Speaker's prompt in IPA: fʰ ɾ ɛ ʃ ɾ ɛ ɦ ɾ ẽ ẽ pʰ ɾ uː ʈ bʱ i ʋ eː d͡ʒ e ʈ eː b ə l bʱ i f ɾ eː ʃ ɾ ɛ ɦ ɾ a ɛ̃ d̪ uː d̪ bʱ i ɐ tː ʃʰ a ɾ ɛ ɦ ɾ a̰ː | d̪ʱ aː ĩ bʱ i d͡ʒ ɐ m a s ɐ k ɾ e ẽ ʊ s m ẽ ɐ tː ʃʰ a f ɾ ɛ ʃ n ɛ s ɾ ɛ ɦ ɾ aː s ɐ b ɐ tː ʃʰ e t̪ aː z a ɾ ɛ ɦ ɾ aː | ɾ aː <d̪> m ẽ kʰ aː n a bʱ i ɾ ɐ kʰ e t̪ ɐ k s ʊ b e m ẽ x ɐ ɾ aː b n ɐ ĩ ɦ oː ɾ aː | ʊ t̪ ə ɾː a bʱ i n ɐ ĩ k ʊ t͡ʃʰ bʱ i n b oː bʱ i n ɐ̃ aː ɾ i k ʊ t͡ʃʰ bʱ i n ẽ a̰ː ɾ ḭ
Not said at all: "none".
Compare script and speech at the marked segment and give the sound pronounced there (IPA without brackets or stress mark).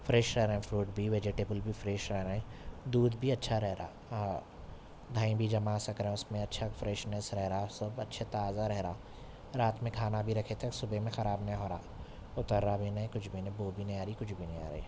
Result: t̪